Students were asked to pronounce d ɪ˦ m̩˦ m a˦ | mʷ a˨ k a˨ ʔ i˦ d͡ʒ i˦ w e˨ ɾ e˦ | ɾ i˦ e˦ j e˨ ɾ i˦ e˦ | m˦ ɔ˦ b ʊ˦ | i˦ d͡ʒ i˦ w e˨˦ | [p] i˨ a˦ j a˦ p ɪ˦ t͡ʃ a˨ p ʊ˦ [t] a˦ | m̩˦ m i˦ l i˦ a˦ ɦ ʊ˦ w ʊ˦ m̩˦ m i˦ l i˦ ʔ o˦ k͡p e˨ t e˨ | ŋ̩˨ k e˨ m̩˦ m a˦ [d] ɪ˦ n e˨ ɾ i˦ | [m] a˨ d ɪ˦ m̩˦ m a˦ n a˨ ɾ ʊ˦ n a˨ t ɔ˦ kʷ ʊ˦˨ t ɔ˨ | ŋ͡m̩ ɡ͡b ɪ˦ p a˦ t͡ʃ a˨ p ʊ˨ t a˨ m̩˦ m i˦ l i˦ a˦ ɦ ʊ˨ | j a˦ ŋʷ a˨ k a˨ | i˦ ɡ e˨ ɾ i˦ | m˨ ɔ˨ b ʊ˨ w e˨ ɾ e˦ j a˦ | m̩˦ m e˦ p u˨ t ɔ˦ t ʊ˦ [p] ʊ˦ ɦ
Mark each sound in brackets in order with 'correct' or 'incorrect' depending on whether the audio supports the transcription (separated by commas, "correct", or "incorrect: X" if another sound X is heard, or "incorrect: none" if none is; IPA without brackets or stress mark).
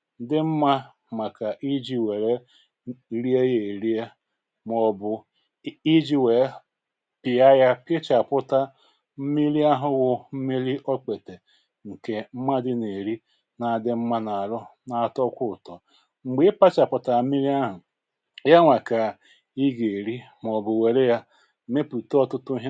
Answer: correct, correct, correct, incorrect: n, incorrect: t